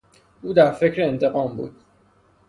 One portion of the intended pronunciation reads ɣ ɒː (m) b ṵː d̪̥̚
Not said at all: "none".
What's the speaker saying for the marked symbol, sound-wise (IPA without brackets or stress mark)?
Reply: m